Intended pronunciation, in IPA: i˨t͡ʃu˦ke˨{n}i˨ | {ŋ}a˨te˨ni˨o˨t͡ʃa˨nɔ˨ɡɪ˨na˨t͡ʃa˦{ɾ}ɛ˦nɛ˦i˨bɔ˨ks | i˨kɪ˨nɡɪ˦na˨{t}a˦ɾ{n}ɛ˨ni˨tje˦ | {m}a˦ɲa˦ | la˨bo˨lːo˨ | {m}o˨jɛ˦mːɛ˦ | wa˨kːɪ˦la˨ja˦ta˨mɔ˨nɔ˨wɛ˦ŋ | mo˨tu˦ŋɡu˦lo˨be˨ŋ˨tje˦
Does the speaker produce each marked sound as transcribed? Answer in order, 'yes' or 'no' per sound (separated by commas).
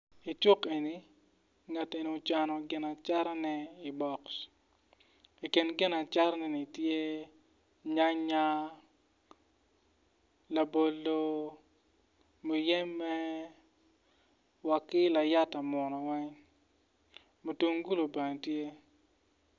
yes, yes, yes, no, yes, no, yes